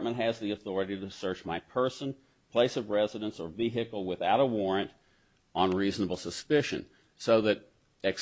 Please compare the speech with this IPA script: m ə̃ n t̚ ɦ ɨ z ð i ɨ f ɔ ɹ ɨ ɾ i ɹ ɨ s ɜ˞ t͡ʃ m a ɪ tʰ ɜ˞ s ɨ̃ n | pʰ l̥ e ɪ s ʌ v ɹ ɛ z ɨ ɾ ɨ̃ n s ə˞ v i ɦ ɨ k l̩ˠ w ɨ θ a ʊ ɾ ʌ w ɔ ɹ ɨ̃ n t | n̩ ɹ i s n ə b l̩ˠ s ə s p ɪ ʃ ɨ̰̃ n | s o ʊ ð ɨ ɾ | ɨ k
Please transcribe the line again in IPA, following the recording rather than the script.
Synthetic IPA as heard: m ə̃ n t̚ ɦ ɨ z ð i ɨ θ ɔ ɹ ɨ ɾ i ɾ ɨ s ɜ˞ t͡ʃ m a ɪ pʰ ɜ˞ s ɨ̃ n | pʰ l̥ e ɪ s ʌ v ɹ ɛ z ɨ ɾ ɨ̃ n s ə˞ v i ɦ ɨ k l̩ˠ w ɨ θ a ʊ ɾ ə w ɔ ɹ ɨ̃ n t | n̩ ɹ i z n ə b l̩ˠ s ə s p ɪ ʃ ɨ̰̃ n | s o ʊ ð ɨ ɾ | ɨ k